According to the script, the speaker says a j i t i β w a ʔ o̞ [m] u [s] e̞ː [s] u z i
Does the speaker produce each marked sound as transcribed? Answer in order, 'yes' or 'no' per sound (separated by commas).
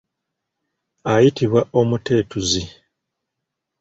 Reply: yes, no, no